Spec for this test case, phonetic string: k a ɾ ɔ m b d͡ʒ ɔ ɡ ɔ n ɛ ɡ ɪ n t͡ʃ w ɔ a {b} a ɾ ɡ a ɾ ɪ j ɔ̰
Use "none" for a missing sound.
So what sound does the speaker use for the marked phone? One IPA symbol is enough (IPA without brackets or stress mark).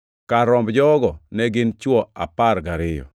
p